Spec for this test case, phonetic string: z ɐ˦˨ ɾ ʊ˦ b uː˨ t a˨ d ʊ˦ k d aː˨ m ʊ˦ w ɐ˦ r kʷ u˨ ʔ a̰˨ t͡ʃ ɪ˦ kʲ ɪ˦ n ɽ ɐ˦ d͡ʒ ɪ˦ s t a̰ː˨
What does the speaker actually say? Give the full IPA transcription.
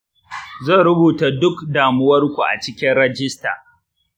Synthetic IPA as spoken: z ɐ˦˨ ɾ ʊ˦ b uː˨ t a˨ d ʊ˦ k d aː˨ m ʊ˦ w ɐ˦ r kʷ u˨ ʔ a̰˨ t͡ʃ ɪ˦ kʲ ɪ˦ n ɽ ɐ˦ d͡ʒ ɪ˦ s t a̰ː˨